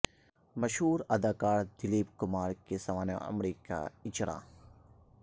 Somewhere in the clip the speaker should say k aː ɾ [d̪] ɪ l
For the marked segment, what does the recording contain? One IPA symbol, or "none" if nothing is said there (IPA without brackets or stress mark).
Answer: d̪